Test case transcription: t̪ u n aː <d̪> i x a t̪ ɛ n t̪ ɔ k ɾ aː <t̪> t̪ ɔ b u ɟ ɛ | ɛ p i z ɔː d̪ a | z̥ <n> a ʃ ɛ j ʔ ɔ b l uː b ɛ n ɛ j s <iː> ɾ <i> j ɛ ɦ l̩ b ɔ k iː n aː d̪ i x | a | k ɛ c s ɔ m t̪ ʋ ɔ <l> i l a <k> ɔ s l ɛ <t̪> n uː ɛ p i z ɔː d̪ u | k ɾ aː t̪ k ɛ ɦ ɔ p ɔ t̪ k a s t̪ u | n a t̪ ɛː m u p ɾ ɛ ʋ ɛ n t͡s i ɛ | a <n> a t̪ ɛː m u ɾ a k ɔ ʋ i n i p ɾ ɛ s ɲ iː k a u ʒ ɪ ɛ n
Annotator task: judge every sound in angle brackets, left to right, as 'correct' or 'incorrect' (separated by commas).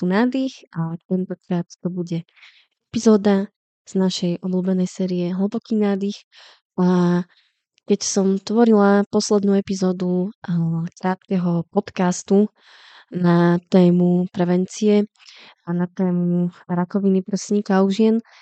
correct, correct, correct, incorrect, correct, incorrect, incorrect, incorrect, correct